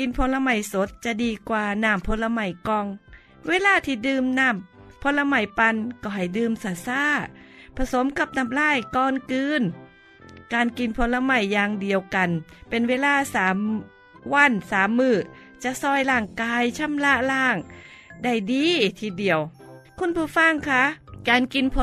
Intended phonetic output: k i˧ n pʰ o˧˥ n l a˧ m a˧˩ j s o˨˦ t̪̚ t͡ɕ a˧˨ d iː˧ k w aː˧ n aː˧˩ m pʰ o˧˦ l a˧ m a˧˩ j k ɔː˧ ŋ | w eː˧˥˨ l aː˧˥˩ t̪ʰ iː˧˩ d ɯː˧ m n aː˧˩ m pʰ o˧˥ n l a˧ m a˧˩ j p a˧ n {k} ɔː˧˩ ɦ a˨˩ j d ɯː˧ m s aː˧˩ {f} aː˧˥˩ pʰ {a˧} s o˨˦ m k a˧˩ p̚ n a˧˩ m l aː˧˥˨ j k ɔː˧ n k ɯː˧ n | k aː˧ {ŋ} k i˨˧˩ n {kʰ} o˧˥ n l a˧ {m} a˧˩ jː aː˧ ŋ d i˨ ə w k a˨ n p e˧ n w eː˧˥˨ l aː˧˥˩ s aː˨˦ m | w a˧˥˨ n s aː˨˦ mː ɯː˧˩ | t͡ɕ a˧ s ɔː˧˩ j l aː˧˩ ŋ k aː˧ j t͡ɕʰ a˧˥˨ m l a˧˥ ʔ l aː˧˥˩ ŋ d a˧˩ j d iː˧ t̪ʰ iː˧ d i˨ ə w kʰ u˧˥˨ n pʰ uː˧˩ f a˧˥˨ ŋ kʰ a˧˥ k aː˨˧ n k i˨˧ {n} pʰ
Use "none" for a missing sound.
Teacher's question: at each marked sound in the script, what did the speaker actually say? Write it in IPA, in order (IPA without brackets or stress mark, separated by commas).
k, s, a˧, n, pʰ, m, n